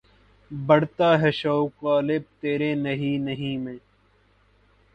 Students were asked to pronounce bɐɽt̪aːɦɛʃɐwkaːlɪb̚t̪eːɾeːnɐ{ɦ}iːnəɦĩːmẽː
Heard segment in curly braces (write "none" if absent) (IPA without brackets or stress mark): ɦ